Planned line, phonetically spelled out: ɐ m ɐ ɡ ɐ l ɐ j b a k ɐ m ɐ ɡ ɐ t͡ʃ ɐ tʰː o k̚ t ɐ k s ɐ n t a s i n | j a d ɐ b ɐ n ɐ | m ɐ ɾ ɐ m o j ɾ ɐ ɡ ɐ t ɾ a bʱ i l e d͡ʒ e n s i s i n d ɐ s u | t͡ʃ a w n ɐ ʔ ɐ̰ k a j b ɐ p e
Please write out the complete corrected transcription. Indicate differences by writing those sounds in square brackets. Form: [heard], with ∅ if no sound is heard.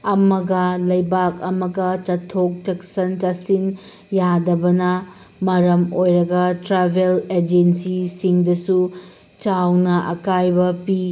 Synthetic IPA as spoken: ɐ m ɐ ɡ ɐ l ɐ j b a k ɐ m ɐ ɡ ɐ t͡ʃ ɐ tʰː o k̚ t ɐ k s ɐ n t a s i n | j a d ɐ b ɐ n ɐ | m ɐ ɾ ɐ m o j ɾ ɐ ɡ ɐ t ɾ a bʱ [e] l e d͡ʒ e n s i s i [ŋ] d ɐ s u | t͡ʃ a w n ɐ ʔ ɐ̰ k a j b ɐ p [i]